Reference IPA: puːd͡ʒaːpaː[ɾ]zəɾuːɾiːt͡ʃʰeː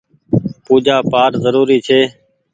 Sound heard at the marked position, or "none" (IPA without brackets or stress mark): ɾ